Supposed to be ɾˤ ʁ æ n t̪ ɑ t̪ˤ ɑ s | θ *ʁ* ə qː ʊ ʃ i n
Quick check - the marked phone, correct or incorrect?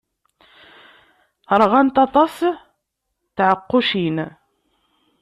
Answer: incorrect